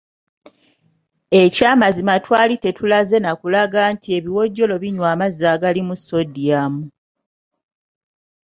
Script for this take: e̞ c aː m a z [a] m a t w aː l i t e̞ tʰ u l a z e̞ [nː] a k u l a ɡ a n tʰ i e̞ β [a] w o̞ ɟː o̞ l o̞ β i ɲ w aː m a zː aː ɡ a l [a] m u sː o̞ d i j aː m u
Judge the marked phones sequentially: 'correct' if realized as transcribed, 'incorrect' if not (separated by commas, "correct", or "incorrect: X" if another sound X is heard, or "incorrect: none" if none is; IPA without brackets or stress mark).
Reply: incorrect: i, incorrect: n, incorrect: i, incorrect: i